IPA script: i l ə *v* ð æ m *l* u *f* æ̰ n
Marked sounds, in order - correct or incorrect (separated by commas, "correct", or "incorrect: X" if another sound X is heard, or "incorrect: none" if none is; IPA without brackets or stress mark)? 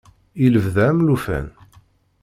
correct, correct, correct